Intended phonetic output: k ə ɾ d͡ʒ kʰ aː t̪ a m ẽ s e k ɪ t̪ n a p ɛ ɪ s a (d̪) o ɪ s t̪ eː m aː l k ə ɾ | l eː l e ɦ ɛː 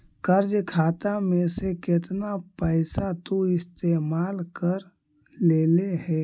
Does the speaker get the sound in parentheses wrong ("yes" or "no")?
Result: yes